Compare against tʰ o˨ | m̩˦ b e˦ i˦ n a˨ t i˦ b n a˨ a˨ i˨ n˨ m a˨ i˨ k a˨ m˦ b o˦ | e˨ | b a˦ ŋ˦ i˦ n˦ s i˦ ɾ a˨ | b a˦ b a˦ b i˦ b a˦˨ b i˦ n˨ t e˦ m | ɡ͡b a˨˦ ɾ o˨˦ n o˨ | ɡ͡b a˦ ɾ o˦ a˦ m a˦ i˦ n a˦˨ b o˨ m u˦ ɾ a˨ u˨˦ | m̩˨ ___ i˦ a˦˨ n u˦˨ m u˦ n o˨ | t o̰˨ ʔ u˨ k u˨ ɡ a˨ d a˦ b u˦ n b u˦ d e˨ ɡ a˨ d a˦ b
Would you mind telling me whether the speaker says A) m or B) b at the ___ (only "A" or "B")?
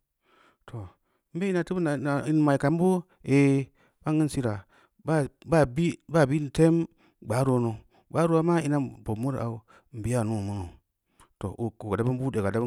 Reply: B